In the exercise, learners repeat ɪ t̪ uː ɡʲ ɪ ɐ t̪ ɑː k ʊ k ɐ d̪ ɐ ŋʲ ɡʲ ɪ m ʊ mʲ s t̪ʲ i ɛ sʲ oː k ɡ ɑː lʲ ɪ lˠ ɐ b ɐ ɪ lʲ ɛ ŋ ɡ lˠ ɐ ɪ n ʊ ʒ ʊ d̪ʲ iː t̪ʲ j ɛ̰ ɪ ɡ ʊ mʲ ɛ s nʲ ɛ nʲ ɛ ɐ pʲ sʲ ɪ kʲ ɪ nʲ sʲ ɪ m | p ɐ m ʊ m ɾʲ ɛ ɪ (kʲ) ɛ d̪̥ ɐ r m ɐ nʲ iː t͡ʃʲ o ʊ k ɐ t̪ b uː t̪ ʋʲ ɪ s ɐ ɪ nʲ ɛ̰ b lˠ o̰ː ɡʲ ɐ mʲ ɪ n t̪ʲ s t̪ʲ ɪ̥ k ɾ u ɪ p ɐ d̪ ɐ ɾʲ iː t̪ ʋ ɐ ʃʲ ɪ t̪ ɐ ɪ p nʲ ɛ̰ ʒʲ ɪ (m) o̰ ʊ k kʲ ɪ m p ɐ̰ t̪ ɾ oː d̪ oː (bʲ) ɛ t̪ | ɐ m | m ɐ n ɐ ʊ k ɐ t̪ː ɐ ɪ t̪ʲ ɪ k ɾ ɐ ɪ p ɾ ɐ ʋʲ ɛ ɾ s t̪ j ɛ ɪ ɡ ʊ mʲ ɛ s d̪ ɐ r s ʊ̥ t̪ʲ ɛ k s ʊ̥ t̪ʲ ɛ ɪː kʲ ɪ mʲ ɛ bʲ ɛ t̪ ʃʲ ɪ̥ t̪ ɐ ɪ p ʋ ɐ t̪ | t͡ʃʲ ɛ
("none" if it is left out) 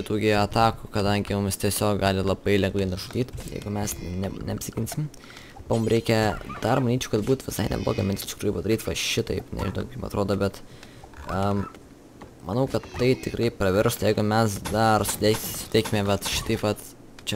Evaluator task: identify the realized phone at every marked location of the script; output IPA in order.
kʲ, n, bʲ

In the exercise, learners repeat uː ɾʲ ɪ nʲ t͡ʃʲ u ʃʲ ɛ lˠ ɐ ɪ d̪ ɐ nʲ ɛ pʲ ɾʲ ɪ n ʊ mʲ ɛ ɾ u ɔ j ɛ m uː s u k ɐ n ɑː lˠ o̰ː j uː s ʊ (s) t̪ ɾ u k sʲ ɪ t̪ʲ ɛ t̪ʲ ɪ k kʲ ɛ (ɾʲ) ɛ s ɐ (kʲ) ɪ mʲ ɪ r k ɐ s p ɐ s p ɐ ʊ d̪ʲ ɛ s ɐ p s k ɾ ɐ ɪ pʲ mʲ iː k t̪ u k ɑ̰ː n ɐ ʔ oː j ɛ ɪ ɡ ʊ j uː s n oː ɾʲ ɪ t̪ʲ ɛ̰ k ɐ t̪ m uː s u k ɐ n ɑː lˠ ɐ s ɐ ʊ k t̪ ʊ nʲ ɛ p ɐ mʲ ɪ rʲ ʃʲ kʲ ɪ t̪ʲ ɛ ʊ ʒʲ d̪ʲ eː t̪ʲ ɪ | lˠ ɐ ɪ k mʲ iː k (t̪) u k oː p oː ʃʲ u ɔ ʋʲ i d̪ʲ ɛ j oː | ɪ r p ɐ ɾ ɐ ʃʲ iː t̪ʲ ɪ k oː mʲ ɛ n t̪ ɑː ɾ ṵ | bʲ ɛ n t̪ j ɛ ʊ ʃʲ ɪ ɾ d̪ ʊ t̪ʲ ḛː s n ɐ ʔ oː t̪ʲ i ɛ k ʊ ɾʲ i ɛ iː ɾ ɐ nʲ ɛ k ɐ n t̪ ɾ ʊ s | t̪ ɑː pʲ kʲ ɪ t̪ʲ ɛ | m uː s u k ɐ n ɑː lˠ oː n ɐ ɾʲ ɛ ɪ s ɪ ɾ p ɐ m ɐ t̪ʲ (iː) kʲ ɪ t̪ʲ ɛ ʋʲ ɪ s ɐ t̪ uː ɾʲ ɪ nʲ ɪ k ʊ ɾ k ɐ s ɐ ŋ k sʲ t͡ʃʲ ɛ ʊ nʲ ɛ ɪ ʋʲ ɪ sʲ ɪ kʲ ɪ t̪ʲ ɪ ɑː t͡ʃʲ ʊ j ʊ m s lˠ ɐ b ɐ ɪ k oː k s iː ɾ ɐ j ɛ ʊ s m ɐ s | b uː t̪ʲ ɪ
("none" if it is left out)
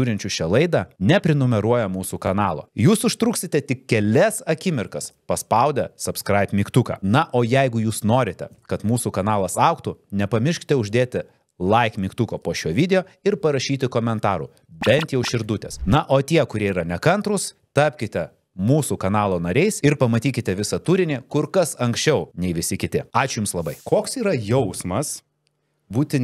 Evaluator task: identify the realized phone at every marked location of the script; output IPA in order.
ʃ, lʲ, kʲ, t̪, iː

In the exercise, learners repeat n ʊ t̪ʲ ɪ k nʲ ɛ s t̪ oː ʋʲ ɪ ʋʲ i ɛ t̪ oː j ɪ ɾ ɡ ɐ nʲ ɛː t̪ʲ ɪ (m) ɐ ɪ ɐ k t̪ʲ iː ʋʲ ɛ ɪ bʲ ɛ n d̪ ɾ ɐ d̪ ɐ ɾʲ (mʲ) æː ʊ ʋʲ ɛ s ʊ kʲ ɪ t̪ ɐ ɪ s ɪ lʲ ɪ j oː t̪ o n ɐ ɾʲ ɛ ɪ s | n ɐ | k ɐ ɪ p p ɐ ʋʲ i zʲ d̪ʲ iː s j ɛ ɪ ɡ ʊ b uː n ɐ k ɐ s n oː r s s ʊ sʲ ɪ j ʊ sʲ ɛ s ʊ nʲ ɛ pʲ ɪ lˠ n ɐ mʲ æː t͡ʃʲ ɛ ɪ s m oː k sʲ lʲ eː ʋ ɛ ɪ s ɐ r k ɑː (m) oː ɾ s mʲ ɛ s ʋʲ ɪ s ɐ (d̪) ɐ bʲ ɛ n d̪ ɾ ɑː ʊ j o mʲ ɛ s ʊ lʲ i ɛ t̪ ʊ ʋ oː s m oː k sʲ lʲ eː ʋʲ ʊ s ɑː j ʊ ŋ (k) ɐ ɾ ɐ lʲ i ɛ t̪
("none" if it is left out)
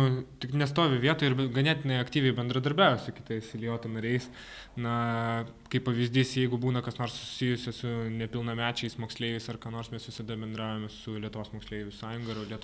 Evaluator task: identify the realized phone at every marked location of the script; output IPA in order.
n, bʲ, n, d̪, ɡ

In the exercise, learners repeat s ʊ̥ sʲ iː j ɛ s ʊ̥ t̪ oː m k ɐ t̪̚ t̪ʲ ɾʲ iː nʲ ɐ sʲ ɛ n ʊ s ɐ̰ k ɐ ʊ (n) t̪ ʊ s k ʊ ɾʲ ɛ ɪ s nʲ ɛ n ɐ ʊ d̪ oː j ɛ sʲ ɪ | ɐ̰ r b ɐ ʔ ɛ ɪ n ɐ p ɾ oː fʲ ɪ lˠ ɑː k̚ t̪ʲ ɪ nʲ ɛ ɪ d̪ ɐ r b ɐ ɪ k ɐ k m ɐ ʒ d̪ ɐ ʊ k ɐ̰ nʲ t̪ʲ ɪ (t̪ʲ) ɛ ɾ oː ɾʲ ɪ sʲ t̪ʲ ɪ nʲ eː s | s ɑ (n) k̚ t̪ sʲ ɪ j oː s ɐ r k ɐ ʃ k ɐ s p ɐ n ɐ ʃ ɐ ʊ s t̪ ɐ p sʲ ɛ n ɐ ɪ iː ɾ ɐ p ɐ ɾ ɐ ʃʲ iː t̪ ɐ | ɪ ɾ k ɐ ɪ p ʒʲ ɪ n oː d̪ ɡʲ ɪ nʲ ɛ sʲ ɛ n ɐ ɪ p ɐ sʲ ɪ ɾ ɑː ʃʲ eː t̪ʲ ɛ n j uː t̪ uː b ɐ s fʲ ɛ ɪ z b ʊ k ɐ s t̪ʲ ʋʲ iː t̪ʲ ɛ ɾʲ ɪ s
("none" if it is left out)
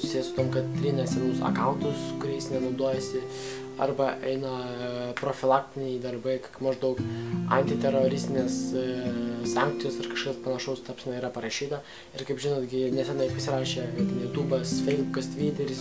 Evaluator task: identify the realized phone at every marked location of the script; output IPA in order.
n, t̪ʲ, ŋ

